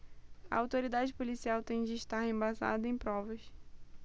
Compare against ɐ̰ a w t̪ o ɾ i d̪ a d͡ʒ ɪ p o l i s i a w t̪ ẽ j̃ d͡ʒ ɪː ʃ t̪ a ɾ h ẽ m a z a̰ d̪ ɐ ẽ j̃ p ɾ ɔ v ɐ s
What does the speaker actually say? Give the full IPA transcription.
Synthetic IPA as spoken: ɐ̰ a w t̪ o ɾ i d̪ a d͡ʒ ɪ p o l i s i a w t̪ ẽ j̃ d͡ʒ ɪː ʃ t̪ a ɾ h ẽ b a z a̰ d̪ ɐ ẽ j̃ p ɾ ɔ v ɐ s